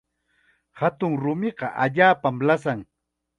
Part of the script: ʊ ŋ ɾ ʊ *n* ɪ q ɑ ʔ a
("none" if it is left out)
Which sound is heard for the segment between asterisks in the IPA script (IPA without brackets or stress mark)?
m